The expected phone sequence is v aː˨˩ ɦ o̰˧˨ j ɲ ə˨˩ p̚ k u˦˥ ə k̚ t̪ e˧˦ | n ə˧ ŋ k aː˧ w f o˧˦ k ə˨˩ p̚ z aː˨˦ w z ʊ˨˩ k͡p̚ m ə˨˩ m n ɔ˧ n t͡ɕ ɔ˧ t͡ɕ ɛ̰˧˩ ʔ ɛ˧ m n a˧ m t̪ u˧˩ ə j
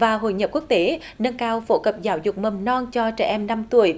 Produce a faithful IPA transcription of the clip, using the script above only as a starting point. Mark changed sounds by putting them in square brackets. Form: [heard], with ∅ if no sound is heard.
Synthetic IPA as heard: v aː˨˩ ɦ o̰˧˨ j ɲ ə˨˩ p̚ k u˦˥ ə k̚ t̪ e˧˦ | n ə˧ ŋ k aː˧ w f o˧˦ k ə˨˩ p̚ z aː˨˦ w z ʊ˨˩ k͡p̚ m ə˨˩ m n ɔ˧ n t͡ɕ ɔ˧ t͡ɕ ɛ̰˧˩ ʔ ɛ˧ m n a˧ m t̪ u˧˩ ə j